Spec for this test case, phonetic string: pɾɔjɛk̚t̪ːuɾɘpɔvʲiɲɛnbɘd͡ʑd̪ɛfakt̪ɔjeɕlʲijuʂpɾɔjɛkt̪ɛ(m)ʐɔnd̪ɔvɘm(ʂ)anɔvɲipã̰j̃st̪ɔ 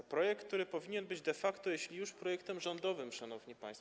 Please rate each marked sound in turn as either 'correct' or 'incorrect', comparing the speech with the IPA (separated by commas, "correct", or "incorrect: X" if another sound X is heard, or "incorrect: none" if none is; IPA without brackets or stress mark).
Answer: correct, correct